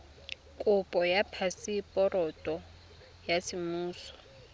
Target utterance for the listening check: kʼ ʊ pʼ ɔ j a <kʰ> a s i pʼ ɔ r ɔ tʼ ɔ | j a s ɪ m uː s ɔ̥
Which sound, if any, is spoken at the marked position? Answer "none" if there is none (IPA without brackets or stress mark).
pʰ